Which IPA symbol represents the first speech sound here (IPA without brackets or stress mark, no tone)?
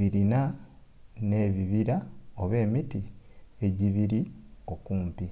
i